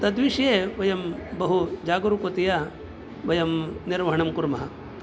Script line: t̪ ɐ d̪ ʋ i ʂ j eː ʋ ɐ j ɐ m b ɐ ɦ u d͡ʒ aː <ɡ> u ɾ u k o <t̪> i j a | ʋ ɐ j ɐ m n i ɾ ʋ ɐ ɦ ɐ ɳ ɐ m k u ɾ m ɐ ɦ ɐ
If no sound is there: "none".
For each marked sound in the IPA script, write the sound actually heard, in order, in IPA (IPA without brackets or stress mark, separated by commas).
ɡ, t̪